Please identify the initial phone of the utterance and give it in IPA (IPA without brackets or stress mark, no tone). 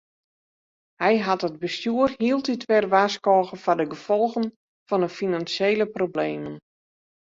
h